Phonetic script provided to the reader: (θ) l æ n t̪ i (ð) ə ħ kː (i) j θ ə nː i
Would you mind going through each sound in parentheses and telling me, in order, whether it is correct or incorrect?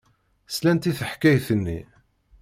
incorrect: s, incorrect: θ, incorrect: æ

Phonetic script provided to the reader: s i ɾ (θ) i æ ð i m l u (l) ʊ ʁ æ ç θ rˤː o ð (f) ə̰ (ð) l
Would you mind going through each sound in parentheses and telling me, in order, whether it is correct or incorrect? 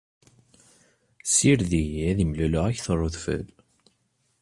incorrect: ð, correct, correct, incorrect: none

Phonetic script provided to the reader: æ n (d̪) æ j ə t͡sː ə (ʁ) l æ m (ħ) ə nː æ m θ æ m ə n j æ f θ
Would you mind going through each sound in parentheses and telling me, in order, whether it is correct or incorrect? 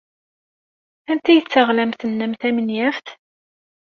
incorrect: t̪, correct, incorrect: θ

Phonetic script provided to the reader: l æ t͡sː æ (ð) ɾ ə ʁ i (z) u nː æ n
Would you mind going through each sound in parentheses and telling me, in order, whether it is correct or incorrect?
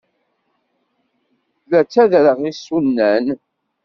correct, incorrect: s

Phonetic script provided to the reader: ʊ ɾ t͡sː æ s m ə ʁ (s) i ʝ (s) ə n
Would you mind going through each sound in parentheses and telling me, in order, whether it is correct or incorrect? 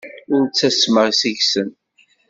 correct, correct

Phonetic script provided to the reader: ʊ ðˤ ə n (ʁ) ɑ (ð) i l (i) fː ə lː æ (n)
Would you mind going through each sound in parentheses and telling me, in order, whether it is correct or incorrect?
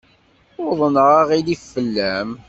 correct, incorrect: ʁ, correct, incorrect: m

